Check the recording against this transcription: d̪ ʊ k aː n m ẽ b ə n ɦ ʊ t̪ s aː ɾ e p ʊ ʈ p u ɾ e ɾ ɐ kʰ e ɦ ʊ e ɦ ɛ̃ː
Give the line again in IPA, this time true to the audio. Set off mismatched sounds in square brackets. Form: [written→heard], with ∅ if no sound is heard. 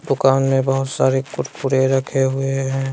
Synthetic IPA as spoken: d̪ ʊ k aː n m ẽ b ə [n→∅] ɦ ʊ t̪ s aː ɾ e [p→k] ʊ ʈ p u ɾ e ɾ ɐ kʰ e ɦ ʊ e ɦ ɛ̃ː